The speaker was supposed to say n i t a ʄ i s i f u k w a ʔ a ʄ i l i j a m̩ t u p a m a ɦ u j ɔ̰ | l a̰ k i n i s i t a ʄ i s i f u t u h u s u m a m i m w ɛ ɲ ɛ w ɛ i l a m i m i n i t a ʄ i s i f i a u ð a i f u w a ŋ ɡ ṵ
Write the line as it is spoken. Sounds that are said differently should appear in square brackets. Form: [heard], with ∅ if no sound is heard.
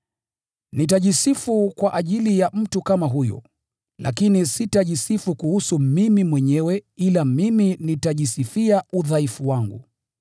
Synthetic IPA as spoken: n i t a ʄ i s i f u k w a ʔ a ʄ i l i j a m̩ t u [k] a m a ɦ u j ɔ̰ | l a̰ k i n i s i t a ʄ i s i f u [k] u h u s u m [i] m i m w ɛ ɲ ɛ w ɛ i l a m i m i n i t a ʄ i s i f i a u ð a i f u w a ŋ ɡ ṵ